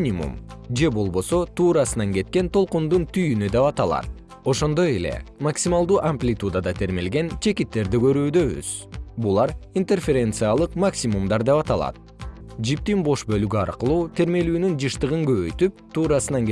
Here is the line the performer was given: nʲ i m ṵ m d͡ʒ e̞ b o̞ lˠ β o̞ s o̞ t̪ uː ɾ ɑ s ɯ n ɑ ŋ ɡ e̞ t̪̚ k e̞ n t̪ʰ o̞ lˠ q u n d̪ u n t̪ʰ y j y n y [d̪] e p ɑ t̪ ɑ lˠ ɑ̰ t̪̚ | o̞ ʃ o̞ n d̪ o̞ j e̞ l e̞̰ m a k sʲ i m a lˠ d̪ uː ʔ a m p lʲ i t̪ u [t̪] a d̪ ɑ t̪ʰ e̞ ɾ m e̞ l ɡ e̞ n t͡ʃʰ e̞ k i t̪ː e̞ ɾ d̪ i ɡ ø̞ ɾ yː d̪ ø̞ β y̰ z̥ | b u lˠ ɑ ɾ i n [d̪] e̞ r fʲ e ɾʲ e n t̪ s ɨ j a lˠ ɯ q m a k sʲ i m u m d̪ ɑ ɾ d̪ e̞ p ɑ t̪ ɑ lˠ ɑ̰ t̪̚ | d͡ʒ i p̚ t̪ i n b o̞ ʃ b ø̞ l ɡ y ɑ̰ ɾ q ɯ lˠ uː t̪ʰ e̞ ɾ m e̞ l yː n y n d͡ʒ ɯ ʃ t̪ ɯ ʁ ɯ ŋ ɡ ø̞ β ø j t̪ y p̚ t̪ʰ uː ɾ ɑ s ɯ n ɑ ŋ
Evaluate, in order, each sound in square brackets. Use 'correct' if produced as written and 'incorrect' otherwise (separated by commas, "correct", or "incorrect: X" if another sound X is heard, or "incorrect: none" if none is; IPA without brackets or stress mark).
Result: correct, incorrect: d̪, incorrect: t̪